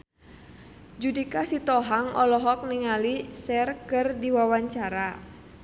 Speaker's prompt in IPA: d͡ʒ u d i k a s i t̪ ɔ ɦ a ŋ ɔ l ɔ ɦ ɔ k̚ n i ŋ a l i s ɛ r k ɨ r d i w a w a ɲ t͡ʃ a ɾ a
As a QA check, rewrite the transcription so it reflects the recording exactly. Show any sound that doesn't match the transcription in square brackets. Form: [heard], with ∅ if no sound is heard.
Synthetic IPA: d͡ʒ u d i k a s i t̪ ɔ ɦ a ŋ ɔ l ɔ ɦ ɔ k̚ n i ŋ a l i s ɛ r k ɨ r d i w a w a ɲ t͡ʃ a ɾ a

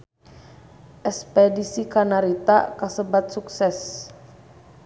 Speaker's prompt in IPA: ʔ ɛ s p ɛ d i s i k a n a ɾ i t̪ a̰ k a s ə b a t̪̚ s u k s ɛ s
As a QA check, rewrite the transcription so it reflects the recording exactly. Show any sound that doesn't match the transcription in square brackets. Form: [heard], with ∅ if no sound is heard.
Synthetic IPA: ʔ ɛ s p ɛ d i s i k a n a ɾ i t̪ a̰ k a s ə b a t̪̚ s u k s ɛ s

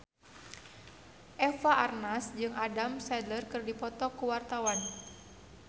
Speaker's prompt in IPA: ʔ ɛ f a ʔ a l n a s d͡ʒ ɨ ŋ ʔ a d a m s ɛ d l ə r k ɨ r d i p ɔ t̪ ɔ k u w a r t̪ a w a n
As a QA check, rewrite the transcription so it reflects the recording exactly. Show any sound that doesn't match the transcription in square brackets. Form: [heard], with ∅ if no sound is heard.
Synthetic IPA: ʔ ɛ f a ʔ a [r] n a s d͡ʒ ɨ ŋ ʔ a d a m s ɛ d l ə r k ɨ r d i p ɔ t̪ ɔ k u w a r t̪ a w a n

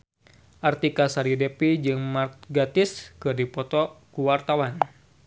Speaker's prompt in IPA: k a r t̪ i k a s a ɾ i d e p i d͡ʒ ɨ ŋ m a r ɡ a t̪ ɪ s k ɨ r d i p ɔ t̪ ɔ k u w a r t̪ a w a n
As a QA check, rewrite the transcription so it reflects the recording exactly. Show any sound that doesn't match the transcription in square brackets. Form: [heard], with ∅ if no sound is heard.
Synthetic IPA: [ʔ] a r t̪ i k a s a ɾ i d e p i d͡ʒ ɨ ŋ m a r ɡ a t̪ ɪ s k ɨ r d i p ɔ t̪ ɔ k u w a r t̪ a w a n

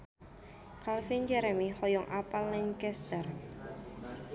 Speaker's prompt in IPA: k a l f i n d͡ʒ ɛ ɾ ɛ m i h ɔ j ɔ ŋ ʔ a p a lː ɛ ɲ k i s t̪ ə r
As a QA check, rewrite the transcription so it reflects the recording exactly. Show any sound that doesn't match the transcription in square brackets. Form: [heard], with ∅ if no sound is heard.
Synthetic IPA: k a l f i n d͡ʒ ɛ ɾ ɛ m i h ɔ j ɔ ŋ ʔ a p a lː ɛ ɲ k [ɛ] s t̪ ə r

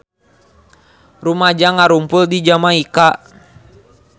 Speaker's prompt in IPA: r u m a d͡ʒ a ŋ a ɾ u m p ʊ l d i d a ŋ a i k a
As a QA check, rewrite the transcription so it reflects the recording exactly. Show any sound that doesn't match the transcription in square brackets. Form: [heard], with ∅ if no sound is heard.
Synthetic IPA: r u m a d͡ʒ a ŋ a ɾ u m p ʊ l d i [d͡ʒ] a [m] a i k a

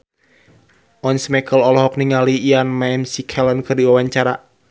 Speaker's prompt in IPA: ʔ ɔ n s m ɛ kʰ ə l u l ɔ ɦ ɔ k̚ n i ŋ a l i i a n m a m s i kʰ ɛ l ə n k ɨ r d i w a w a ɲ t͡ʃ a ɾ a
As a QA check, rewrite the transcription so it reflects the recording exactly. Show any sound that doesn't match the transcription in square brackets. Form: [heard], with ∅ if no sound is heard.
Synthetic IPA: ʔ ɔ n s m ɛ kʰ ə l [ɔ] l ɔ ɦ ɔ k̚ n i ŋ a l i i a n m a m s i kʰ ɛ l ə n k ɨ r d i w a w a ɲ t͡ʃ a ɾ a

